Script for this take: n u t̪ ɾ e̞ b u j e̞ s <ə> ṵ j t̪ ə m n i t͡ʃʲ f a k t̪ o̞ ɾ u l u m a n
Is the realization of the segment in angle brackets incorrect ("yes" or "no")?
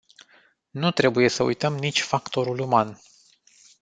no